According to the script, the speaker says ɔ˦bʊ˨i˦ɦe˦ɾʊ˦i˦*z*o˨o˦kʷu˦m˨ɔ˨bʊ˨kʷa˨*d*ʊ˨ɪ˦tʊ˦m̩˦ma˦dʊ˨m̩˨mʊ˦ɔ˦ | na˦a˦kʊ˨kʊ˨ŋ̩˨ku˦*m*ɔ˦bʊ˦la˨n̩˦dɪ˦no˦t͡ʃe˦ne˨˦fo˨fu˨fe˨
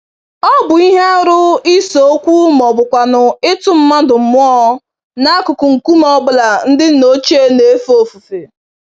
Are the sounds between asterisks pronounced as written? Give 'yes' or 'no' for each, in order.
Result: no, no, yes

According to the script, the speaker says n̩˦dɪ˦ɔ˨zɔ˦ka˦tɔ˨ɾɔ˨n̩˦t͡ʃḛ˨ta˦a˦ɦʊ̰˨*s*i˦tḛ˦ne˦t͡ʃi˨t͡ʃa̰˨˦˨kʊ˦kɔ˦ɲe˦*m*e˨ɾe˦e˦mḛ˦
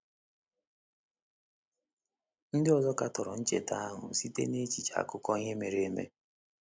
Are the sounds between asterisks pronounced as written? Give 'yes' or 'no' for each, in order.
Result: yes, yes

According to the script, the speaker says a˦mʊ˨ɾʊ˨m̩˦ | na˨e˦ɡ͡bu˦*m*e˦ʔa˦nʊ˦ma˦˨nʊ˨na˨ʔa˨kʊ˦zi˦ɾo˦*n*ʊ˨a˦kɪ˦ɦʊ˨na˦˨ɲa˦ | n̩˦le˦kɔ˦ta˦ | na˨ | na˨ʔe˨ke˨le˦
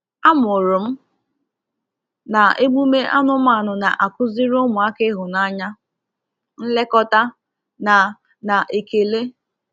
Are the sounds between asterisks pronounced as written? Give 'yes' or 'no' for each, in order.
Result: yes, no

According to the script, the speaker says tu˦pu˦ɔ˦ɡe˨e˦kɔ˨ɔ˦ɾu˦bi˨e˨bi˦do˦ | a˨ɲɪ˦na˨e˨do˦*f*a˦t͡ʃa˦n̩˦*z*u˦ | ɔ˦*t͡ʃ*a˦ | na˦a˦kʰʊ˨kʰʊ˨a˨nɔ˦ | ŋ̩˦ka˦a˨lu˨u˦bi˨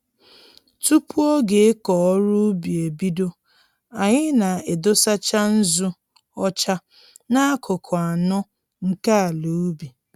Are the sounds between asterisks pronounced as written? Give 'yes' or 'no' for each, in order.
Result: no, yes, yes

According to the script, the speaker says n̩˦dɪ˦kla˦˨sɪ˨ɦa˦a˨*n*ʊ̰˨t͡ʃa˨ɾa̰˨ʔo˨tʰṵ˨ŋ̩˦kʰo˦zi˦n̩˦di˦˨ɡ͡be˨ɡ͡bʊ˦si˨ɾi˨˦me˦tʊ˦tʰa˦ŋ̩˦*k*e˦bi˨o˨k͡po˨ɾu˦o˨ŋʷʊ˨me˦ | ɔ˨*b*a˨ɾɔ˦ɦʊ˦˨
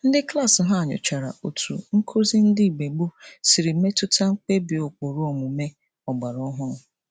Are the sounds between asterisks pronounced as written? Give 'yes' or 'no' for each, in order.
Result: no, no, no

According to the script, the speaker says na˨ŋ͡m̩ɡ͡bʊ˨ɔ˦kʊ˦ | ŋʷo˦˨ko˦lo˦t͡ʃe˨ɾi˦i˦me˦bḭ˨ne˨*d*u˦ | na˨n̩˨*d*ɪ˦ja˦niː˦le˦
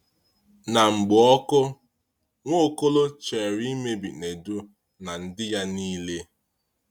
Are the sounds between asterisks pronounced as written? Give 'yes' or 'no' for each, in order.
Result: yes, yes

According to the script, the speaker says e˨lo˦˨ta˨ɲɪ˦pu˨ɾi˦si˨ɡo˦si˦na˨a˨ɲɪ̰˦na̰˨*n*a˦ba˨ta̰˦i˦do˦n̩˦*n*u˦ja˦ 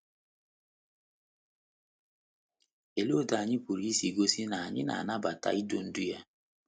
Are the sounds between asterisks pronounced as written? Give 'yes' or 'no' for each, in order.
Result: yes, no

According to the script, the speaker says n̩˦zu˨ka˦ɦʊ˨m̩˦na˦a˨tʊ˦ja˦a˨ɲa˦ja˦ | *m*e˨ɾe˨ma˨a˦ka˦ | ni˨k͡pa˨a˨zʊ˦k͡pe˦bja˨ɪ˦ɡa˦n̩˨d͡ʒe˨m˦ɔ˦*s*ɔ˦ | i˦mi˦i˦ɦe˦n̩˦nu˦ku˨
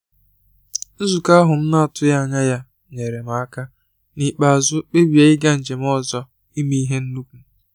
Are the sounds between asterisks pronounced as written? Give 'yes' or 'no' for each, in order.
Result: no, no

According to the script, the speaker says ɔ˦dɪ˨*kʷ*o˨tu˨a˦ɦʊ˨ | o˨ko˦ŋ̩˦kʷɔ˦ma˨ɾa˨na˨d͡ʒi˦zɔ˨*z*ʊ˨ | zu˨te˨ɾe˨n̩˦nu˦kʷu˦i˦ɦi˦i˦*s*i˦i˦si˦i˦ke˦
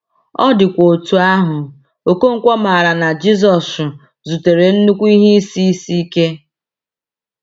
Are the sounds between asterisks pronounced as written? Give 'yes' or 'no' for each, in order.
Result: yes, no, yes

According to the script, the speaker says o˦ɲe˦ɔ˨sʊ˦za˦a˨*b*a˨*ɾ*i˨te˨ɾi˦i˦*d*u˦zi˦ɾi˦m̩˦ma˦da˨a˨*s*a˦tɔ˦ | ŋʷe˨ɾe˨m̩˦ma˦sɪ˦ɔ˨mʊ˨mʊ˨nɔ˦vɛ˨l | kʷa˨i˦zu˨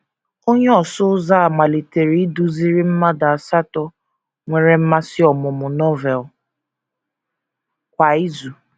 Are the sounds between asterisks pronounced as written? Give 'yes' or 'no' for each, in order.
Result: no, no, yes, yes

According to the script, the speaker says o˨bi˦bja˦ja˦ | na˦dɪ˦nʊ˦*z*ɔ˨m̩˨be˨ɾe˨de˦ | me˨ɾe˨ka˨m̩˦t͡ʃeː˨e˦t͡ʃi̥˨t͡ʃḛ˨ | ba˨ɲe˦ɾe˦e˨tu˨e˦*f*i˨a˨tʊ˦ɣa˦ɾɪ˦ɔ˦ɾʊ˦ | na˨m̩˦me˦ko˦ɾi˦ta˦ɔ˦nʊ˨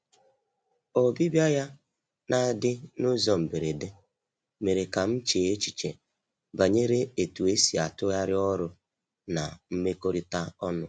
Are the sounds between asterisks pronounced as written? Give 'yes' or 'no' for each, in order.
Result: yes, no

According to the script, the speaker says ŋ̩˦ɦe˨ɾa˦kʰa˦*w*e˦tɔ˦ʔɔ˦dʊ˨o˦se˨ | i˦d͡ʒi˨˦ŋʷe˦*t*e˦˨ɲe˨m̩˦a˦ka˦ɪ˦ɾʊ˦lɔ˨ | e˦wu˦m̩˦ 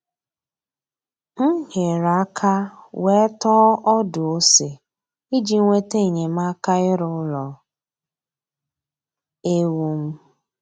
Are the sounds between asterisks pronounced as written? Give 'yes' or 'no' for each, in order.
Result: yes, yes

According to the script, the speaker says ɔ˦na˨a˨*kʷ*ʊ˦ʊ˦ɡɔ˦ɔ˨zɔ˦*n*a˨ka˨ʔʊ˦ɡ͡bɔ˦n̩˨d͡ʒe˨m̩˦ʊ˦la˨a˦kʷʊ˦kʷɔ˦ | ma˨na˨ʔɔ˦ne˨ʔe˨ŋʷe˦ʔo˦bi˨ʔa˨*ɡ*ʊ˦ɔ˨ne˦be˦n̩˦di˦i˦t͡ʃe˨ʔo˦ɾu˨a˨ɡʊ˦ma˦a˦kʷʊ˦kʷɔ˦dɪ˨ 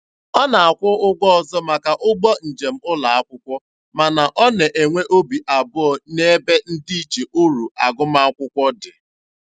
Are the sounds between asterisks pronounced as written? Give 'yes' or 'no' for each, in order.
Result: yes, no, no

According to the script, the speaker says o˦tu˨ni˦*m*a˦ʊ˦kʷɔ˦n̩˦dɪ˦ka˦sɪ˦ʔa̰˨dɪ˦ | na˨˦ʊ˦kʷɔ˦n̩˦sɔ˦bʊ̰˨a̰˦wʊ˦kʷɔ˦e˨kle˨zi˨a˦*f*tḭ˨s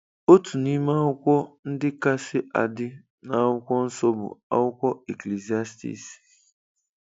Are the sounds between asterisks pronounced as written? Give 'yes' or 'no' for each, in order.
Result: yes, no

